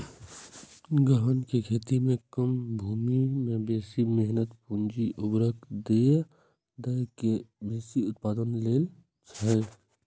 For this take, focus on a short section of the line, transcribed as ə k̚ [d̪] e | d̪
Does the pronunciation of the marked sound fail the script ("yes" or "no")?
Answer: no